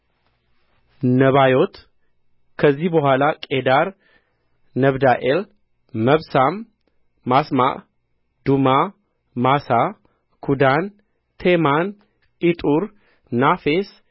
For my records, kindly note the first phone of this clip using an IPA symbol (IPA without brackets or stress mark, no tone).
n